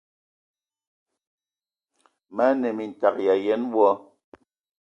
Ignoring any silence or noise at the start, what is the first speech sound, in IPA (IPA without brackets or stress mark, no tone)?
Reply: m